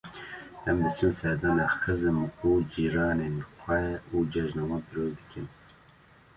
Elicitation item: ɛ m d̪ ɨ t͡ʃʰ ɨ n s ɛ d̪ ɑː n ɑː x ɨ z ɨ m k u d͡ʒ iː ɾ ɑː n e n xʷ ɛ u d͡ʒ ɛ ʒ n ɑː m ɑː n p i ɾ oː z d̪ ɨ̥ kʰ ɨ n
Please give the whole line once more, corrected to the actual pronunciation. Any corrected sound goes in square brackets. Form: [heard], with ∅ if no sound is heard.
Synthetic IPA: ɛ m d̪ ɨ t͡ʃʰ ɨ n s ɛ d̪ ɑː n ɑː x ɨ z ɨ m k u d͡ʒ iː ɾ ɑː n e n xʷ ɛ u d͡ʒ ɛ ʒ n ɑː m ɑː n p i ɾ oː z d̪ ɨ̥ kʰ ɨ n

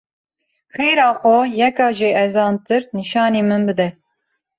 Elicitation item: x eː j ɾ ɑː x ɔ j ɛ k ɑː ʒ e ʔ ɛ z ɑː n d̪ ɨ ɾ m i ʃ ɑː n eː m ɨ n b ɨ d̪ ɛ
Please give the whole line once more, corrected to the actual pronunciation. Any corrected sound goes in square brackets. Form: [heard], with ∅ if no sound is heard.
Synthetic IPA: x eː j ɾ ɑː x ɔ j ɛ k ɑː ʒ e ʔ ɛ z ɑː n [t̪] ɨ ɾ [n] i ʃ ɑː n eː m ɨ n b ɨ d̪ ɛ

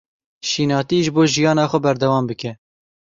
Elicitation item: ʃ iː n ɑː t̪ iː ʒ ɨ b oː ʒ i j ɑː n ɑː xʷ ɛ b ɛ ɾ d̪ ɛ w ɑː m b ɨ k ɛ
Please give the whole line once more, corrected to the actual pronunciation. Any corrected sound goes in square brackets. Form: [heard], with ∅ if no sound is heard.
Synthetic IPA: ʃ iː n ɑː t̪ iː ʒ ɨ b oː ʒ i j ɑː n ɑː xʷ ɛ b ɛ ɾ d̪ ɛ w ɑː m b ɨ k ɛ

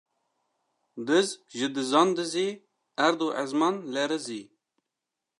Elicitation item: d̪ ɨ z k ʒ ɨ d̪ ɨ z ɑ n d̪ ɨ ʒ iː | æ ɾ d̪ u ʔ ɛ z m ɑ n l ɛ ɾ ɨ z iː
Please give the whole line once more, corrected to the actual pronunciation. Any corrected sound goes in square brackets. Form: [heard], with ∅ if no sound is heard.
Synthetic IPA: d̪ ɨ z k ʒ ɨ d̪ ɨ z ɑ n d̪ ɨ [z] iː | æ ɾ d̪ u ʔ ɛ z m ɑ n l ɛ ɾ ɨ z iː

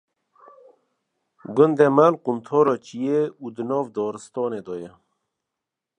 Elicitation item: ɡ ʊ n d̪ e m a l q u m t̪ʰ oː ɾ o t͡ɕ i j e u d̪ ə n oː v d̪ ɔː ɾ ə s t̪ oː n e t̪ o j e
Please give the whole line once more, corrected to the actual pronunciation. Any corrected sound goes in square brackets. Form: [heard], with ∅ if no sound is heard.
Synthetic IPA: ɡ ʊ n d̪ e m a l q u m t̪ʰ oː ɾ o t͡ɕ i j e u d̪ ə n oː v d̪ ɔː ɾ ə s t̪ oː n e [d̪] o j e

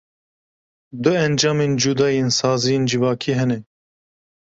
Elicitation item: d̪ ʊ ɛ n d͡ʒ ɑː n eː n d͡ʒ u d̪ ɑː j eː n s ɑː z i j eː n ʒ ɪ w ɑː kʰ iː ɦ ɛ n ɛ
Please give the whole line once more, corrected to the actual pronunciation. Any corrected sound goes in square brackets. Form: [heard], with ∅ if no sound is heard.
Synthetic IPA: d̪ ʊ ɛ n d͡ʒ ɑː [m] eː n d͡ʒ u d̪ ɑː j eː n s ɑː z i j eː n [d͡ʒ] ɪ [v] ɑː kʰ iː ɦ ɛ n ɛ

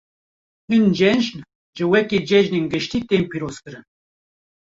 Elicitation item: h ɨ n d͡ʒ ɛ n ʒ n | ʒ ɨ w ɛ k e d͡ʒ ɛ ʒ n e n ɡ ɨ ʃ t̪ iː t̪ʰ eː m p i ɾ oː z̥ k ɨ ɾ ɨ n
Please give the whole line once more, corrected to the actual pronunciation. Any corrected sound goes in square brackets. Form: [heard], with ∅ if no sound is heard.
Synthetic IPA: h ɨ n d͡ʒ ɛ n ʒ n | ʒ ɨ w ɛ k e d͡ʒ ɛ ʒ n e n ɡ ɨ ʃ t̪ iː [t̪] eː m p i ɾ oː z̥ k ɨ ɾ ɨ n

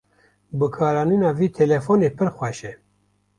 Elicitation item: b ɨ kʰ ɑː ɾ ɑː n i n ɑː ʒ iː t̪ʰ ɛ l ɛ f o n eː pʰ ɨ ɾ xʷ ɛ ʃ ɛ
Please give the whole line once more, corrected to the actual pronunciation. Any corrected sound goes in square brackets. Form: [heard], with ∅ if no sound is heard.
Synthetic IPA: b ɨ kʰ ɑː ɾ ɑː n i n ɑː [v] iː t̪ʰ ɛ l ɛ f o n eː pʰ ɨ ɾ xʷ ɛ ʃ ɛ

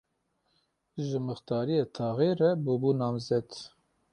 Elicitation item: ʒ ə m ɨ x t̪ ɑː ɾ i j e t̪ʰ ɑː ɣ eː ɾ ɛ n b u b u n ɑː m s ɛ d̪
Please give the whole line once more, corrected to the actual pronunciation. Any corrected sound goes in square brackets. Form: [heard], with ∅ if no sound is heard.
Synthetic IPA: ʒ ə m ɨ x t̪ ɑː ɾ i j e t̪ʰ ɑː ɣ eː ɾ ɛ [∅] b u b u n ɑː m [z] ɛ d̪

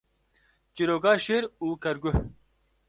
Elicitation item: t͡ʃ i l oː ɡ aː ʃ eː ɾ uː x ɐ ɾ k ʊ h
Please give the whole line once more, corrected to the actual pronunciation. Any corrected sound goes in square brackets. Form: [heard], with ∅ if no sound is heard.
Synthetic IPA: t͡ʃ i [ɾ] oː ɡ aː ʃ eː ɾ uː [k] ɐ ɾ [ɡ] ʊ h

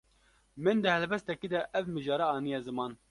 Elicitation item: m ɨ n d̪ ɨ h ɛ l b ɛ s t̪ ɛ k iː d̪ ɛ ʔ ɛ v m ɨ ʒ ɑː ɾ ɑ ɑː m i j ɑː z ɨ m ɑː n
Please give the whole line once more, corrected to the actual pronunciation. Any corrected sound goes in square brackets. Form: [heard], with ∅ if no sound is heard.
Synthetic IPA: m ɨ n d̪ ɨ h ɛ l b ɛ s t̪ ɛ k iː d̪ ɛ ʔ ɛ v m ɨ ʒ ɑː ɾ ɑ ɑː [n] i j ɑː z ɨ m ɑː n

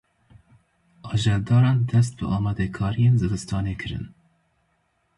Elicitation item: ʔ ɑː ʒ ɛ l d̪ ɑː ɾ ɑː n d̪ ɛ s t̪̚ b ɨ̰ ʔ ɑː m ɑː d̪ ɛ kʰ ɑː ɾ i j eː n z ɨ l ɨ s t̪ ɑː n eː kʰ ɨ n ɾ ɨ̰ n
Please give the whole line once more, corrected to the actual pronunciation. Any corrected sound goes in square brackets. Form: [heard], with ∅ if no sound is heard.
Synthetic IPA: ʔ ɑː ʒ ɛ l d̪ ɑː ɾ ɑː n d̪ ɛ s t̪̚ b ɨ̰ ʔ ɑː m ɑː d̪ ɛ kʰ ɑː ɾ i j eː n z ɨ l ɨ s t̪ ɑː n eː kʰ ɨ [∅] ɾ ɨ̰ n

